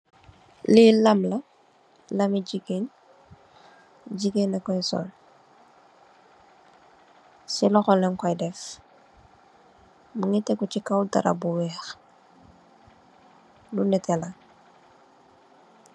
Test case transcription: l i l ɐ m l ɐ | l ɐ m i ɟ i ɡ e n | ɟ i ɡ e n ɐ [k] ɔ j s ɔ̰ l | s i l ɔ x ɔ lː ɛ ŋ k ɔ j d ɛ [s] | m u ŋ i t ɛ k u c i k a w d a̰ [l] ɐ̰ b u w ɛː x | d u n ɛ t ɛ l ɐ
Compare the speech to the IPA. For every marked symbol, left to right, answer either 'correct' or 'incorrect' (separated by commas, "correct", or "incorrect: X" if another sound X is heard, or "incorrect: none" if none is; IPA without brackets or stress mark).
correct, incorrect: f, incorrect: ɾ